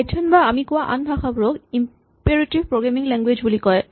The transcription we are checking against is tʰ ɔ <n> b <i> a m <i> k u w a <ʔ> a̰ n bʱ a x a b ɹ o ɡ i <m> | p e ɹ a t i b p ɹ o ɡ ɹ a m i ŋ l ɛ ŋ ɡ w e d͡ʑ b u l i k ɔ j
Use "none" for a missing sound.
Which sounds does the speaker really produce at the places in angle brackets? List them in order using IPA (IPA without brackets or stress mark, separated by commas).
n, a, i, ʔ, m